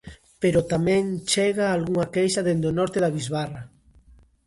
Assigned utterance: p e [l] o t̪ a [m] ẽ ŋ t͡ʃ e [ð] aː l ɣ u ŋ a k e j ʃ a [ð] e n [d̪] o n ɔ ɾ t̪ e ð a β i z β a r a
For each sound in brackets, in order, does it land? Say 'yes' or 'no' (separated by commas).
no, yes, no, yes, yes